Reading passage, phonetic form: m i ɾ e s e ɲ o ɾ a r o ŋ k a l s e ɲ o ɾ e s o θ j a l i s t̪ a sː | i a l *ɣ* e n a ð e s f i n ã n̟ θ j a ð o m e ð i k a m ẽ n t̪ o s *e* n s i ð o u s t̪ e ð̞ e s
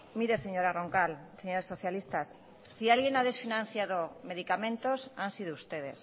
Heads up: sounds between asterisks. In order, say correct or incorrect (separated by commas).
correct, incorrect